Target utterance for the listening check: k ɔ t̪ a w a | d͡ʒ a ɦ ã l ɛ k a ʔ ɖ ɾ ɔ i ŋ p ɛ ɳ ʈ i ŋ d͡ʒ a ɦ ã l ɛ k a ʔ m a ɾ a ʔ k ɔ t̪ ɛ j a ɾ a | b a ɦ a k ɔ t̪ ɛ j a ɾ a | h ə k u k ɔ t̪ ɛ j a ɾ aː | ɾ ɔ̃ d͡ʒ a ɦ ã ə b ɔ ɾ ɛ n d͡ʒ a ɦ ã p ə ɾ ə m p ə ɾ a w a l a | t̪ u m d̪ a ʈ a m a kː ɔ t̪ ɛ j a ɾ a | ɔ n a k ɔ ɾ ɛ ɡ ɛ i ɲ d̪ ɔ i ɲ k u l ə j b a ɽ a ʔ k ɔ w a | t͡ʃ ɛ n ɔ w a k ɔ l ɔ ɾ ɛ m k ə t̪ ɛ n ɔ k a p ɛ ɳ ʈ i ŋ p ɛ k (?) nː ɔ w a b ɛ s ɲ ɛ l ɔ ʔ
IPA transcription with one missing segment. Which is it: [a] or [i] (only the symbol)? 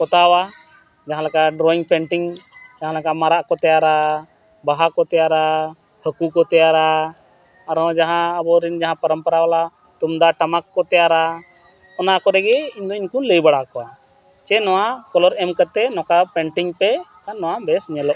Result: a